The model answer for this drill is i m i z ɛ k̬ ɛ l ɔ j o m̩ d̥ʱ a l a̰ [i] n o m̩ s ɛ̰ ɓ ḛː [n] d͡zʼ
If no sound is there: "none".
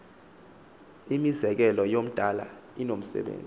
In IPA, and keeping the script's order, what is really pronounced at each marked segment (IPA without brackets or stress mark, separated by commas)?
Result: i, n